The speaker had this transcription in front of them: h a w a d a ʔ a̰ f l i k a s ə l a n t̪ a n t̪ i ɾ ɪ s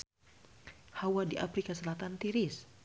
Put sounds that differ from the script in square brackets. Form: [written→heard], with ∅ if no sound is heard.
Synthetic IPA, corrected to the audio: h a w a d [a→i] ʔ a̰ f [l→ɾ] i k a s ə l a [n→∅] t̪ a n t̪ i ɾ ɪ s